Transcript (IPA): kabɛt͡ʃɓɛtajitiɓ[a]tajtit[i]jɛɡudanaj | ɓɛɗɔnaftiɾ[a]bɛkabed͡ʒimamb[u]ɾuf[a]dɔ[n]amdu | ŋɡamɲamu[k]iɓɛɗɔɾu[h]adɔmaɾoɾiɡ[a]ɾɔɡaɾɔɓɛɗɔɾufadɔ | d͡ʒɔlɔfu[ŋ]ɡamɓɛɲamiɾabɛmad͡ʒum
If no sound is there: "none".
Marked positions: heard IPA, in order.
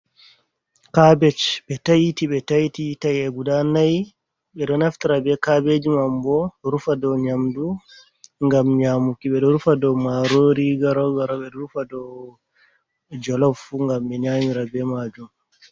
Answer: ɛ, a, a, ɔ, a, ɲ, k, f, a, ŋ

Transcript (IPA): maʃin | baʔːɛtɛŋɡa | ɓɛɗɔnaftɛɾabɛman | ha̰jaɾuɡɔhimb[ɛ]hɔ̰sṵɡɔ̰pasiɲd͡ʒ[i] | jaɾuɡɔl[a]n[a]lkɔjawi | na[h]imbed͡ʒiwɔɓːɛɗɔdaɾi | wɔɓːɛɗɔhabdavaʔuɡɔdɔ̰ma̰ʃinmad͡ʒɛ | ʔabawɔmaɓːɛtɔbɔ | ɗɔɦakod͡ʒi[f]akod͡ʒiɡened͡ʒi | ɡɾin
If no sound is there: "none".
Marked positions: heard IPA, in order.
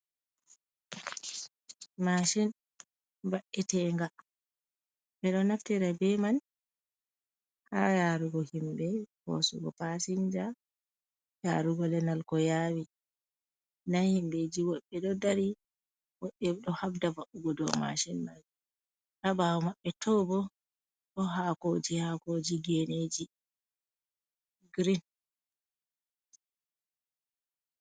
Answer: ɛ, a, ɛ, a, h, h

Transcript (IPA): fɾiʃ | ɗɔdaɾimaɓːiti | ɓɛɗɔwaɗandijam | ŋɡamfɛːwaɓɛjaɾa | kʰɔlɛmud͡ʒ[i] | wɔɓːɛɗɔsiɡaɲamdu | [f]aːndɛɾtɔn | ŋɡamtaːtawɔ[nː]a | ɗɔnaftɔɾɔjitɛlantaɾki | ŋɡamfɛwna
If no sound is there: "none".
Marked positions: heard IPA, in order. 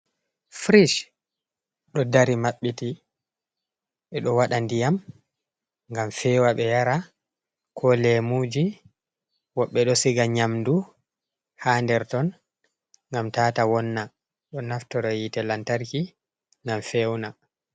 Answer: i, h, nː

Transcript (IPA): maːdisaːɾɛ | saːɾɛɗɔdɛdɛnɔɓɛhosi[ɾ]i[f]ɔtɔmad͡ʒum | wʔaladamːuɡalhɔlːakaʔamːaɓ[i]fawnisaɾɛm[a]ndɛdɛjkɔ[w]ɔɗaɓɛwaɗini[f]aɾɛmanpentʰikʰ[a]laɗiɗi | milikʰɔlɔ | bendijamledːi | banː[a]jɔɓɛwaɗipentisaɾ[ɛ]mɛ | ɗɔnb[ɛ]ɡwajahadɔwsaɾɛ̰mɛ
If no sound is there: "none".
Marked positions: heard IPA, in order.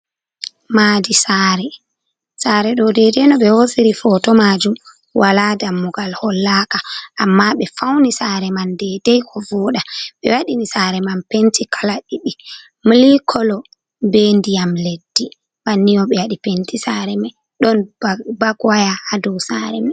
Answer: ɾ, f, ɛ, a, v, s, a, i, ɛ, a

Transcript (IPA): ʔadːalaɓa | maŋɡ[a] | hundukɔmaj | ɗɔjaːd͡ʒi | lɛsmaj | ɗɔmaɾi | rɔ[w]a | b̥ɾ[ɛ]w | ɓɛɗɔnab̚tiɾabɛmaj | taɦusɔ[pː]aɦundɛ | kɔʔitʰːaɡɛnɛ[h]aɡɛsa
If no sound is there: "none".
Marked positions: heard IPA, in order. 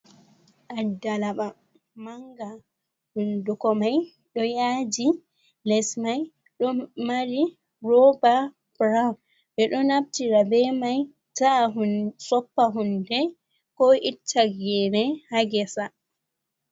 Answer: a, b, a, pː, h

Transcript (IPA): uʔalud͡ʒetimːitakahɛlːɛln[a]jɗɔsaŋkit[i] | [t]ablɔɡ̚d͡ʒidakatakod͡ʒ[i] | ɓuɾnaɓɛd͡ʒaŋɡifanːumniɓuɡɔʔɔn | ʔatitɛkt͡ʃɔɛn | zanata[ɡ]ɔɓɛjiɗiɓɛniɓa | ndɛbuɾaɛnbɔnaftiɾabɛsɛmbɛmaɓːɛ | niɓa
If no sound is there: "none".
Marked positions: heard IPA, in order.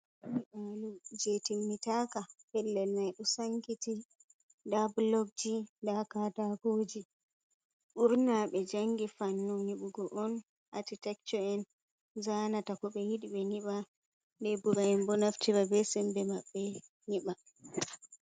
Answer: a, i, d, i, k

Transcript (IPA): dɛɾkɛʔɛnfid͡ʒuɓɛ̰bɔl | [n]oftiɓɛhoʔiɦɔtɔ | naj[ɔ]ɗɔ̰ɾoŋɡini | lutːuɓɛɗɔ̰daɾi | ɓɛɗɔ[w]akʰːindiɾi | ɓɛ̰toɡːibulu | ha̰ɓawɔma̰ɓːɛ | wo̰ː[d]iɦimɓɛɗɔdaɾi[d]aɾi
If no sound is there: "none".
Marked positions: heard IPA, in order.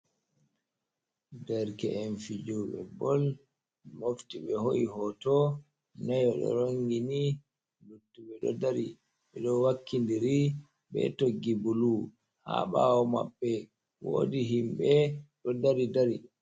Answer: m, ɔ, w, d, d

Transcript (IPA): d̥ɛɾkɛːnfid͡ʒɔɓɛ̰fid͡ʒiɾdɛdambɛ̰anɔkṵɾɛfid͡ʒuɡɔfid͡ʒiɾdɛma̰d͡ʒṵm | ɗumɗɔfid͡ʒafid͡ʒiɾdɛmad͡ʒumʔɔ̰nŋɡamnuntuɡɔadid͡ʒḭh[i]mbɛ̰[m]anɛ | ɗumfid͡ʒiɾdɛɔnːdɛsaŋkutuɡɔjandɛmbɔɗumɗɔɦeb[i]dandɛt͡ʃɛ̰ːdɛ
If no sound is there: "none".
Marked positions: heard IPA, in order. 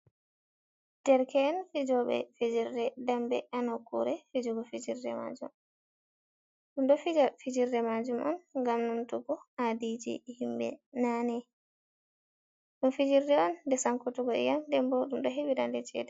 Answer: i, n, i

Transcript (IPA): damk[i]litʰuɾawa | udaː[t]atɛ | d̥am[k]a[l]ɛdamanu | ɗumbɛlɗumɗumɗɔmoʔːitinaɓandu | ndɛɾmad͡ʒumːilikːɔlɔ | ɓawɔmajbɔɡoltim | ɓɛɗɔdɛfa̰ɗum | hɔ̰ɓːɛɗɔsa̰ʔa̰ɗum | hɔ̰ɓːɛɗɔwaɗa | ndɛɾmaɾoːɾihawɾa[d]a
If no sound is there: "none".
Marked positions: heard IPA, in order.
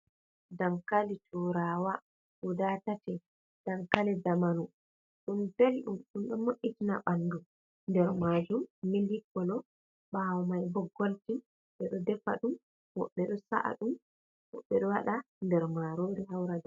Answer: a, t, k, l, d

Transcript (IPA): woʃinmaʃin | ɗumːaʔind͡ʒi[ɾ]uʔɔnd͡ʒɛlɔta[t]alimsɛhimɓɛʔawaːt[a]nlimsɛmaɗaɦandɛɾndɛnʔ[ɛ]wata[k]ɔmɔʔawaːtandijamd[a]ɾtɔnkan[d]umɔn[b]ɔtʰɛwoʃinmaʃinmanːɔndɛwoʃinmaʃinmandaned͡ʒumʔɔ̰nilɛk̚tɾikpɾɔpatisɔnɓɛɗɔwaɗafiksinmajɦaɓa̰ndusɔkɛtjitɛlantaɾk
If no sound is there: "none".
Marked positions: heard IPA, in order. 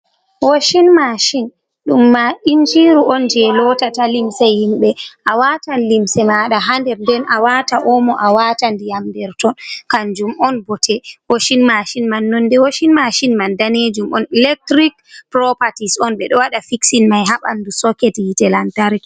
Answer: ɾ, t, a, a, ʔ, ɛ, d͡ʒ, b

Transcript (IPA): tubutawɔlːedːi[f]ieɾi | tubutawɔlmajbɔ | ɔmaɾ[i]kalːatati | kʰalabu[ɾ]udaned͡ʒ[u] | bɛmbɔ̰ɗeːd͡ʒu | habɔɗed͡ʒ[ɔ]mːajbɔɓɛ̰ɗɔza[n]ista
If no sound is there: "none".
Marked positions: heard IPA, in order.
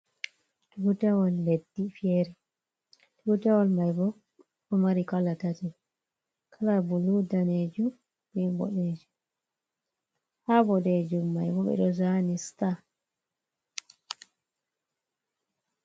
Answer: f, i, l, u, u, n

